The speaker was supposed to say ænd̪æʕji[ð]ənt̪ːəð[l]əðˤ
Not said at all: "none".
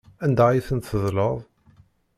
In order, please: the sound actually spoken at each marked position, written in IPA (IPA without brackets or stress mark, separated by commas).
θ, l